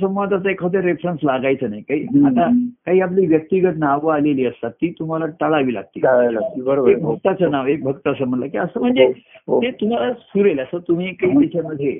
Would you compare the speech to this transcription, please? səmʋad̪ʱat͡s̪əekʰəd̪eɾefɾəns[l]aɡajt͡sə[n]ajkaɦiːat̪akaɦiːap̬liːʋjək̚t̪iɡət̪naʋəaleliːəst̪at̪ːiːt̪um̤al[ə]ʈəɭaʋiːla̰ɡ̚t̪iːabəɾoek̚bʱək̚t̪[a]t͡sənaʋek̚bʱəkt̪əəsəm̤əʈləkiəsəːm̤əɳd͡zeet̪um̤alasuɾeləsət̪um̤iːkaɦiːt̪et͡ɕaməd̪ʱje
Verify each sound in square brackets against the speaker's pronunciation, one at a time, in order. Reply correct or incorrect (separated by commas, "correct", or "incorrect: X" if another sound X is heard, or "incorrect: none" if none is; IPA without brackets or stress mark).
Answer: correct, correct, incorrect: a, correct